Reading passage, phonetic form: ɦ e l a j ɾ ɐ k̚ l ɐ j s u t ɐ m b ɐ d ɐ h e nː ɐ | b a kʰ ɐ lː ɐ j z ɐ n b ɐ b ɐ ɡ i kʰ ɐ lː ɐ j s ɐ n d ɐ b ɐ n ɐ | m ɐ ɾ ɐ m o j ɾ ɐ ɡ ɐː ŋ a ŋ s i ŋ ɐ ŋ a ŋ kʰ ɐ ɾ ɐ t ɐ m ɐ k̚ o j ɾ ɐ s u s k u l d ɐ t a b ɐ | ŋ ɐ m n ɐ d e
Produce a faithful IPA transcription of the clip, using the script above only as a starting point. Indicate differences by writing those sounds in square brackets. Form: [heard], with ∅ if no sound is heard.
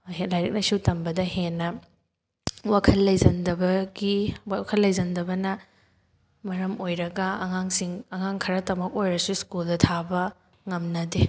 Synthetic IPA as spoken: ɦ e l a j ɾ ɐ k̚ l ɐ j s u t ɐ m b ɐ d ɐ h e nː ɐ | [w] a kʰ ɐ lː ɐ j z ɐ n [d] ɐ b ɐ ɡ i kʰ ɐ lː ɐ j [z] ɐ n d ɐ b ɐ n ɐ | m ɐ ɾ ɐ m o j ɾ ɐ ɡ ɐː ŋ a ŋ s i ŋ ɐ ŋ a ŋ kʰ ɐ ɾ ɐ t ɐ m ɐ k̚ o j ɾ ɐ s u s k u l d ɐ [tʰ] a b ɐ | ŋ ɐ m n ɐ d e